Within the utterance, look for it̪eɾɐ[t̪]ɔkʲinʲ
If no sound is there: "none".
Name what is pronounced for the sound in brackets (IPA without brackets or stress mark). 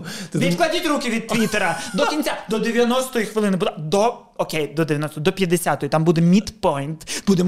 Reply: d̪